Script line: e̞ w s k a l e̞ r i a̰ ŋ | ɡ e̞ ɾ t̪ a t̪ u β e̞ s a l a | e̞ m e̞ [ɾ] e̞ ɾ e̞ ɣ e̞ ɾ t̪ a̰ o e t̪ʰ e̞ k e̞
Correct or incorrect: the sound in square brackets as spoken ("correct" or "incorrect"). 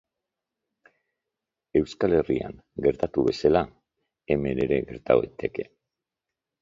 correct